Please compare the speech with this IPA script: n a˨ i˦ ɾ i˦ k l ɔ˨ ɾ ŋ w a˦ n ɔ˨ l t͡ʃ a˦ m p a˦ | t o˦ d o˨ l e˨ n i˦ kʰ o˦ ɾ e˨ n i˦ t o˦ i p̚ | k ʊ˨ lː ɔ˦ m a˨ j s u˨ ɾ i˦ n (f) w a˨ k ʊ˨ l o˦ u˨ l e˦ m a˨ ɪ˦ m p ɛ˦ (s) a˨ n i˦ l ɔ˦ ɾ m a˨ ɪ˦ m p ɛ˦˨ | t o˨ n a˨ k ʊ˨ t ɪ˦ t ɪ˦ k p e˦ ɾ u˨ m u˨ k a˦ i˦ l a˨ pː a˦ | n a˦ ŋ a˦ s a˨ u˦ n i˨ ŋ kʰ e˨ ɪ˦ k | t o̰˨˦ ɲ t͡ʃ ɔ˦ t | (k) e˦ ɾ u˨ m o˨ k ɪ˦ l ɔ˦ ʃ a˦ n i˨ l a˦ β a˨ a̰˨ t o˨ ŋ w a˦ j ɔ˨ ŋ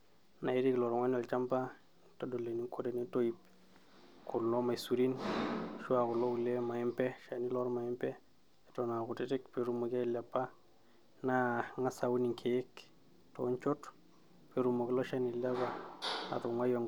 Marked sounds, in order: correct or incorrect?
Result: incorrect: ʃ, incorrect: ʃ, incorrect: p

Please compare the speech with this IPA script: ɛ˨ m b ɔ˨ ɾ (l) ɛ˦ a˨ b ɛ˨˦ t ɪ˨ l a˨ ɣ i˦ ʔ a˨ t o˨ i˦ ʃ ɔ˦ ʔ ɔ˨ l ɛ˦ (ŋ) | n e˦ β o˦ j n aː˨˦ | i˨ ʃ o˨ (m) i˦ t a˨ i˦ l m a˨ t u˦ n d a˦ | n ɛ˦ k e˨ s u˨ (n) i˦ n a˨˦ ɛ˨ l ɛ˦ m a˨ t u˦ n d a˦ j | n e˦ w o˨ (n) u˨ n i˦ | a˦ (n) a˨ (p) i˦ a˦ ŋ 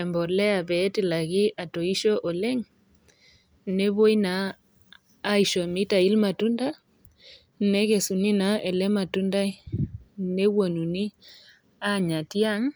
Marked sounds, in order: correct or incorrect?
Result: correct, correct, correct, correct, correct, incorrect: ɲ, incorrect: t

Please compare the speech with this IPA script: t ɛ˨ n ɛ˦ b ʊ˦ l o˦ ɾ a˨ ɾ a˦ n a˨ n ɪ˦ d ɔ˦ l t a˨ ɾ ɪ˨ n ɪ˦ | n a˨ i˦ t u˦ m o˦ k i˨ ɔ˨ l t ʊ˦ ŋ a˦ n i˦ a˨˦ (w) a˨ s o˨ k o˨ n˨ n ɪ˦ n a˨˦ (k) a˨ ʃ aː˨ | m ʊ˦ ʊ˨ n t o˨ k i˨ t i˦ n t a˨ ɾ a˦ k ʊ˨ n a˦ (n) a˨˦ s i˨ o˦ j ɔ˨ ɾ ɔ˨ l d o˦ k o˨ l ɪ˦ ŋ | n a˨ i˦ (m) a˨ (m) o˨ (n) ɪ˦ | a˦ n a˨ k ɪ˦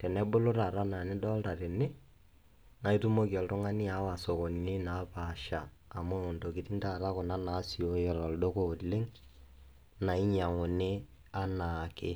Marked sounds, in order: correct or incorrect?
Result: correct, incorrect: p, correct, incorrect: ɲ, incorrect: ŋ, correct

